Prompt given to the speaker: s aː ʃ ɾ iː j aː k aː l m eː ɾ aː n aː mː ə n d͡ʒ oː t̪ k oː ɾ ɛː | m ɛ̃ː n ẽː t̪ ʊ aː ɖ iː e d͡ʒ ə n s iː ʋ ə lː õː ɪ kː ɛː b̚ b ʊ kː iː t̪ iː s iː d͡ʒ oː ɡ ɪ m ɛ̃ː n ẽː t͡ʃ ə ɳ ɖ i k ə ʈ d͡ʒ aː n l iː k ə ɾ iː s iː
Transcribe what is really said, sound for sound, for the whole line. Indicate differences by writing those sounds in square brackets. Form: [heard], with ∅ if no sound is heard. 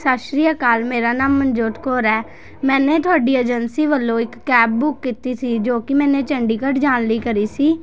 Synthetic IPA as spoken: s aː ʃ ɾ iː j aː k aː l m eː ɾ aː n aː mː ə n d͡ʒ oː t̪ k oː ɾ ɛː | m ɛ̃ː n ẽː t̪ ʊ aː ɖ iː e d͡ʒ ə n s iː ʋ ə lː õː ɪ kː ɛː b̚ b ʊ kː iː t̪ iː s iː d͡ʒ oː [k] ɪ m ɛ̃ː n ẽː t͡ʃ ə ɳ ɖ [iː] k ə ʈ d͡ʒ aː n l iː k ə ɾ iː s iː